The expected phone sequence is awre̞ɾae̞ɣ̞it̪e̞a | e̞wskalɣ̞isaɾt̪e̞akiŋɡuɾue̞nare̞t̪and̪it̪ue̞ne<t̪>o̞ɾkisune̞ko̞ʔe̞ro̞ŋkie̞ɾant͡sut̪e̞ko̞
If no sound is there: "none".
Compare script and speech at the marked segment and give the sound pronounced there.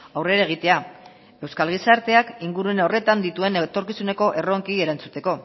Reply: t̪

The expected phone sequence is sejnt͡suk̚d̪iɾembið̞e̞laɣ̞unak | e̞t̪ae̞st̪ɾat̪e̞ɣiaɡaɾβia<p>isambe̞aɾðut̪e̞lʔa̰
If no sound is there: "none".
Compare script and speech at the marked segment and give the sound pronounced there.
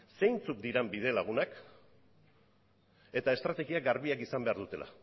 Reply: k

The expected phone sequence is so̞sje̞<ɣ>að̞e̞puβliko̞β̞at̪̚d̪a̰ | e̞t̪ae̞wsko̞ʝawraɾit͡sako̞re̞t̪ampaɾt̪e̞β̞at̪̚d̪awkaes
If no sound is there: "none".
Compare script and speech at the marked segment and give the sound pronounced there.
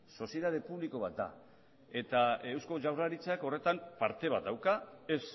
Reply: ð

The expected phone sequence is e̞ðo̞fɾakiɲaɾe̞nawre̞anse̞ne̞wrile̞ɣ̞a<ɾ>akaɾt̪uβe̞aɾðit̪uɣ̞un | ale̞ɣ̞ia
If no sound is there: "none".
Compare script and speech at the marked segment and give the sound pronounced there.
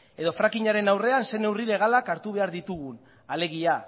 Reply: l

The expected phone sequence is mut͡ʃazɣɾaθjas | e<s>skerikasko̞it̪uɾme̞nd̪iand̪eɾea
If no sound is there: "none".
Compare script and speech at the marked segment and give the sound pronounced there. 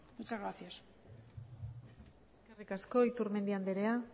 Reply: s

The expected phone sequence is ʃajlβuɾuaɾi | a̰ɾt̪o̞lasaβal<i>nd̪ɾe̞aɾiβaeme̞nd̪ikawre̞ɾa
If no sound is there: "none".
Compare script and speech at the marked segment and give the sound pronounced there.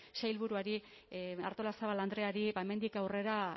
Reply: a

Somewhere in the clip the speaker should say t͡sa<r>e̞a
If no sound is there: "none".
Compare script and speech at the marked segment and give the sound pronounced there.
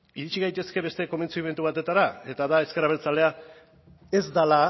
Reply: l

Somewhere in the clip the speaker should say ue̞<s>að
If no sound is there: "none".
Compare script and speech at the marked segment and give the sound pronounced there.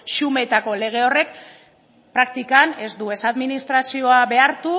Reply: s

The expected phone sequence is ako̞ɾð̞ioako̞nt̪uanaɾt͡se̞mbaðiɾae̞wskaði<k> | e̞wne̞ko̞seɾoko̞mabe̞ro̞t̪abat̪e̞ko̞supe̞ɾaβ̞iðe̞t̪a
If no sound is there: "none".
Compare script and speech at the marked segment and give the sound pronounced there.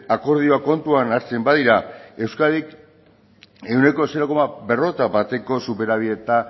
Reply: k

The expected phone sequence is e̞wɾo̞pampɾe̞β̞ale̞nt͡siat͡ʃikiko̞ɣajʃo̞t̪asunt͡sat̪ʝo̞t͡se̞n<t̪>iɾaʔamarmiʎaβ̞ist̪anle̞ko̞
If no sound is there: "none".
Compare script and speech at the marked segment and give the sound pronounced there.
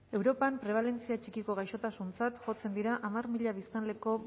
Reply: d̪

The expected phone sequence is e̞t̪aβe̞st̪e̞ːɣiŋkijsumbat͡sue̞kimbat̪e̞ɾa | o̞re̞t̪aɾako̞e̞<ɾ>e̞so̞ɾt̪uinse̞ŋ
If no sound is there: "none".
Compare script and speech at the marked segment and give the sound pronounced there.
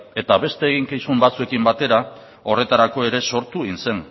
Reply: ɾ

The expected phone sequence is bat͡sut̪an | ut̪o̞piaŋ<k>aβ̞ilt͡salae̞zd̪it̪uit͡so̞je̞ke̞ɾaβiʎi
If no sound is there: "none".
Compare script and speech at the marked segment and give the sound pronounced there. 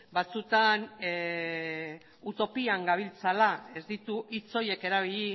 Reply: ɡ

